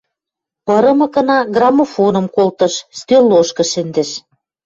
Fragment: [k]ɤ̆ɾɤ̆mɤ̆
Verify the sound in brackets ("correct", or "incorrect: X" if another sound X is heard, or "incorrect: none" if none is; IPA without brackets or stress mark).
incorrect: p